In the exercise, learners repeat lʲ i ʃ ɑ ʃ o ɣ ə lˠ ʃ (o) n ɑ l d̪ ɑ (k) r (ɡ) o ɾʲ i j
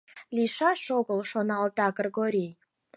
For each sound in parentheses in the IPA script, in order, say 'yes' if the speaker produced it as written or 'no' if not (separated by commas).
yes, no, yes